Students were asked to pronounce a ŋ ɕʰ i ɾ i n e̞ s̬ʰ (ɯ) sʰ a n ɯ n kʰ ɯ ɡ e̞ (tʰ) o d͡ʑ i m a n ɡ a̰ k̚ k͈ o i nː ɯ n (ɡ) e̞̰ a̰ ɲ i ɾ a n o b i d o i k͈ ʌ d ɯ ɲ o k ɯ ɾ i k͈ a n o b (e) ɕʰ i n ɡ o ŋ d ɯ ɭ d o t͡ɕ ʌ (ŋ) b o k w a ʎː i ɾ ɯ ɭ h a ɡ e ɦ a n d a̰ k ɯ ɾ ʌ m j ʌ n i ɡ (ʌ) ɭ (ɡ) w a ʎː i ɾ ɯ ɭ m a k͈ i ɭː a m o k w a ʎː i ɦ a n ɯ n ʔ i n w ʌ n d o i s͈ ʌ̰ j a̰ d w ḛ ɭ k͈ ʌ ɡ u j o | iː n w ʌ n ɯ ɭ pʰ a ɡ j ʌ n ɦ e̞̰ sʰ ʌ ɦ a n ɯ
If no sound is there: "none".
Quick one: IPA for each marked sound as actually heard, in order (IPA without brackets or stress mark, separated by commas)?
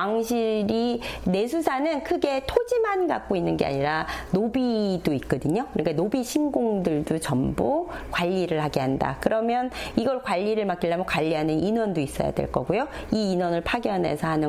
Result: u, tʰ, ɡ, i, m, ʌ, k